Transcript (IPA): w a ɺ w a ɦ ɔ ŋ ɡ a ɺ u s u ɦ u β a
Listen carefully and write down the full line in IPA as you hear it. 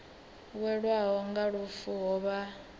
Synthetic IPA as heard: w ɛ ɺ w a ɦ ɔ ŋ ɡ a ɺ u f u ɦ ɔ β a